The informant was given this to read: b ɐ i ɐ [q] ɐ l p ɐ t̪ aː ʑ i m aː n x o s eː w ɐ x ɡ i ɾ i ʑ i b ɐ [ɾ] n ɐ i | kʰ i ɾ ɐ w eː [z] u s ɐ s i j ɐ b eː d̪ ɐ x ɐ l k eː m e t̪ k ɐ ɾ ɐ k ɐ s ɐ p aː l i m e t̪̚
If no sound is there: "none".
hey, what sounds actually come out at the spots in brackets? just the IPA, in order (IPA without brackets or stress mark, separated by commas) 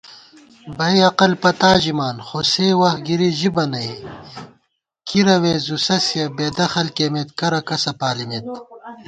q, none, z